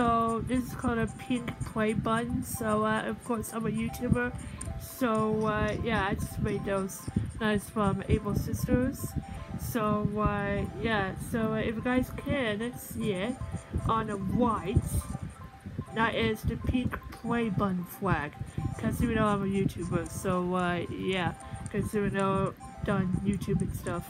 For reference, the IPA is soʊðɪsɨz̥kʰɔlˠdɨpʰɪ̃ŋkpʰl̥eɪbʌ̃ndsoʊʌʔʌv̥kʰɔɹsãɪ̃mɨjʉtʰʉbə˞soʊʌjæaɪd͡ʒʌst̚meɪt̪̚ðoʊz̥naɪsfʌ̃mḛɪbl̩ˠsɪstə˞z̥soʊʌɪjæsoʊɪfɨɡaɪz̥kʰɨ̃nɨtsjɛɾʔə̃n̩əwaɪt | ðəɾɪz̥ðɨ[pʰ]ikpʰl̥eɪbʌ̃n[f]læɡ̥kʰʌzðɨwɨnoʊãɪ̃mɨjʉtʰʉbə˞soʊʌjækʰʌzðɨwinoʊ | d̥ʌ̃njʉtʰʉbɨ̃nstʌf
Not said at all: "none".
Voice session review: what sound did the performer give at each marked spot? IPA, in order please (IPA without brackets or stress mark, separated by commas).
pʰ, f